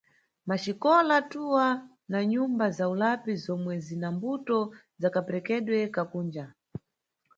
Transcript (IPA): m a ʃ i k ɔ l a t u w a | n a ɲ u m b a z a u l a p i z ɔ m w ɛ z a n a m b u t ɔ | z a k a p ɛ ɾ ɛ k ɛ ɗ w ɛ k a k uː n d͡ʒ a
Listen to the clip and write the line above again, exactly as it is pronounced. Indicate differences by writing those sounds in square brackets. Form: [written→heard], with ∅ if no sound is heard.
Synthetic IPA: m a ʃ i k ɔ l a t u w a | n a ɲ u m b a z a u l a p i z ɔ m w ɛ z [a→i] n a m b u t ɔ | z a k a p ɛ ɾ ɛ k ɛ ɗ w ɛ k a k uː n d͡ʒ a